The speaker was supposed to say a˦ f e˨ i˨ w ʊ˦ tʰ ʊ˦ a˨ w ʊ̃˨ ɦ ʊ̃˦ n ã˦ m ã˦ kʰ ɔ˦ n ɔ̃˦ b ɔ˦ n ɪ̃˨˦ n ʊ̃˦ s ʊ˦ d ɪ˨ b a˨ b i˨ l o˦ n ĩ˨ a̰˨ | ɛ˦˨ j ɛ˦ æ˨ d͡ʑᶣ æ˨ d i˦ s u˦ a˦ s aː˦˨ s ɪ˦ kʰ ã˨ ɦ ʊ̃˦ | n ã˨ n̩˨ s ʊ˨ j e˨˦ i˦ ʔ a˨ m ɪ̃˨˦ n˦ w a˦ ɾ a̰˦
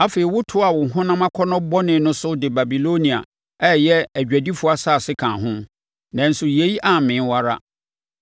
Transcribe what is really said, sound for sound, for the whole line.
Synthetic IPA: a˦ f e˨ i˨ w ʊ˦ tʰ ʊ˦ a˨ w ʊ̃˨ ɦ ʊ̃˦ n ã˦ m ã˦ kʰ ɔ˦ n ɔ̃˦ b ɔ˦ n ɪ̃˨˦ n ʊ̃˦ s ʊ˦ d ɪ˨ b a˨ b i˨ l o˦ n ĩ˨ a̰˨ | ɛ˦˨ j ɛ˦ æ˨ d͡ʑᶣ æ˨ d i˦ f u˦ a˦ s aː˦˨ s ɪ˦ kʰ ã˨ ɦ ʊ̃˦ | n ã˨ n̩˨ s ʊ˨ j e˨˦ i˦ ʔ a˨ m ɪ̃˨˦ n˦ w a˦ ɾ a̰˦